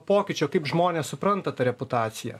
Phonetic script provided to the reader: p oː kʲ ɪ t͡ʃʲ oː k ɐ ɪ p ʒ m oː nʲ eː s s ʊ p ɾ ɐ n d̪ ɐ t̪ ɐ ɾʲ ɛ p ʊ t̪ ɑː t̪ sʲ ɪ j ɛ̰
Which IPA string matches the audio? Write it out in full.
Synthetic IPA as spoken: p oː kʲ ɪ t͡ʃʲ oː k ɐ ɪ p ʒ m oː nʲ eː s s ʊ p ɾ ɐ n t̪ ɐ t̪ ɐ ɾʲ ɛ p ʊ t̪ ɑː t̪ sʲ ɪ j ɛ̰